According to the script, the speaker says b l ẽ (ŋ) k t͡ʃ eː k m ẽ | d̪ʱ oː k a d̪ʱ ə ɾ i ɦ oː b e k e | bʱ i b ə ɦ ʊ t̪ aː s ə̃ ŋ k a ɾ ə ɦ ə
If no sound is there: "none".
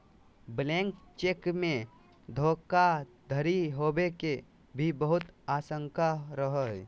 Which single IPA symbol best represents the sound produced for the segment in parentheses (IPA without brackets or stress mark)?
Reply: ŋ